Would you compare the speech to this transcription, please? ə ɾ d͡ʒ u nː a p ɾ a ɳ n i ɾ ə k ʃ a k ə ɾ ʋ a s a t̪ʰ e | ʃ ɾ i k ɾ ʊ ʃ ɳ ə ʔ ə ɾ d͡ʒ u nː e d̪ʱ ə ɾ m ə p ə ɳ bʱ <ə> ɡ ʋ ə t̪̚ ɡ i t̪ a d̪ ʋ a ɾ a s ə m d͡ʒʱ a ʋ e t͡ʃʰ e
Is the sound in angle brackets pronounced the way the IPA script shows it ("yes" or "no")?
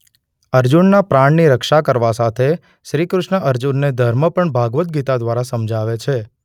no